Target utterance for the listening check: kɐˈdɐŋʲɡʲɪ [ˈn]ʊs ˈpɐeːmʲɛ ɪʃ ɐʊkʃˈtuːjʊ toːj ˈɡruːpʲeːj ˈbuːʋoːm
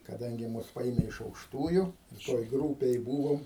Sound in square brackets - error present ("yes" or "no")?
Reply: yes